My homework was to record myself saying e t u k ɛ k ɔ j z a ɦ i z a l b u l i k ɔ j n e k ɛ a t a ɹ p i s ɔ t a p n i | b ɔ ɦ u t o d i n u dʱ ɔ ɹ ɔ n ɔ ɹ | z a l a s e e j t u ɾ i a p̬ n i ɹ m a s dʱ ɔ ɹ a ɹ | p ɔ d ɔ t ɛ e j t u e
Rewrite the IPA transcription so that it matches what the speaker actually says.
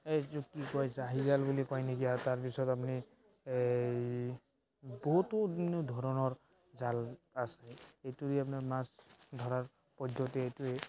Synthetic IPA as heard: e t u k i k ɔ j z a ɦ i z a l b u l i k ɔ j n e k i a t a ɹ p i s ɔ t a p n i | b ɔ ɦ u t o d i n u dʱ ɔ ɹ ɔ n ɔ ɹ | z a l a s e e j t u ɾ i a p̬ n a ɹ m a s dʱ ɔ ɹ a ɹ | p ɔ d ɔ t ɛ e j t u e